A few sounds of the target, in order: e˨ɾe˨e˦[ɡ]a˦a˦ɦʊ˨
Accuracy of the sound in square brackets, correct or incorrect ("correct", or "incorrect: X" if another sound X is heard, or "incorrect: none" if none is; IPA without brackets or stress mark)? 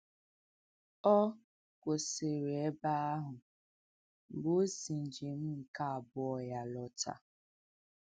incorrect: b